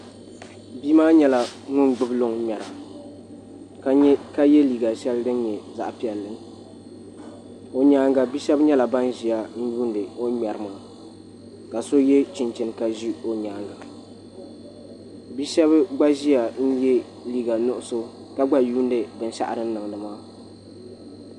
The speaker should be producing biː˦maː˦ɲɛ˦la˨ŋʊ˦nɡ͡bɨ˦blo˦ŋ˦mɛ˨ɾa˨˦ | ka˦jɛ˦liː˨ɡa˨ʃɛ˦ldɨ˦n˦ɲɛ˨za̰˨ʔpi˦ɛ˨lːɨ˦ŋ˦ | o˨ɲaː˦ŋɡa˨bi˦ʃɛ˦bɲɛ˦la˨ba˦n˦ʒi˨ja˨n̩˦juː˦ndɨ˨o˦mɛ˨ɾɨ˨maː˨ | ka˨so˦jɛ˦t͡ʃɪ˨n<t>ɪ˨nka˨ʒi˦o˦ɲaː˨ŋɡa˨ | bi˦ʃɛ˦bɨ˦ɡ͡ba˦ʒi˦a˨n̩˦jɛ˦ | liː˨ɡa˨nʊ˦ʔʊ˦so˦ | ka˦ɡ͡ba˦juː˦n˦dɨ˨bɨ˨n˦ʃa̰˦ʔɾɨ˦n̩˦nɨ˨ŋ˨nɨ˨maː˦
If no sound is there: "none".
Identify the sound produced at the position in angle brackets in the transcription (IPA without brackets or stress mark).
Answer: t͡ʃ